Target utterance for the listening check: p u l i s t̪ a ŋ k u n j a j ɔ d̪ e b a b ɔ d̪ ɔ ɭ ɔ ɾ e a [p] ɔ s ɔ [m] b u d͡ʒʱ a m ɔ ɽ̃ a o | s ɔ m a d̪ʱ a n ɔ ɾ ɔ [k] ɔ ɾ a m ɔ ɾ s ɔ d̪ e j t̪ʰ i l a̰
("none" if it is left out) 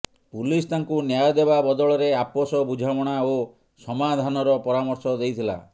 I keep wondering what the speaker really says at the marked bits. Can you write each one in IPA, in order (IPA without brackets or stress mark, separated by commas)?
p, none, p